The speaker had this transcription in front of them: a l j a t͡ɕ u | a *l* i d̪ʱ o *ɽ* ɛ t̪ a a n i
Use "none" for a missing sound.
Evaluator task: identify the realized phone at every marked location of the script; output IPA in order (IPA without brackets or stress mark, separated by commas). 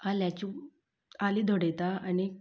l, ɽ